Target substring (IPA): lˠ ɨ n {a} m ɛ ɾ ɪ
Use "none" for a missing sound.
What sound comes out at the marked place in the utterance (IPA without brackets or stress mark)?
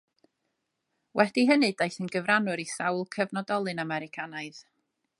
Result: a